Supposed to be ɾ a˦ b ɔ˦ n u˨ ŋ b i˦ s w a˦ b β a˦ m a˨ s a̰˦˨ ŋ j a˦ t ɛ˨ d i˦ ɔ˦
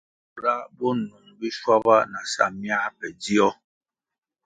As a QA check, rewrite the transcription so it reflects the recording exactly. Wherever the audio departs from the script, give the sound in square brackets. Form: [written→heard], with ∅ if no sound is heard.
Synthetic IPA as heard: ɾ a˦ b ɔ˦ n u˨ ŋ b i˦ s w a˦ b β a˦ [m→n] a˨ s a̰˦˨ [ŋ→m] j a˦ [t→p] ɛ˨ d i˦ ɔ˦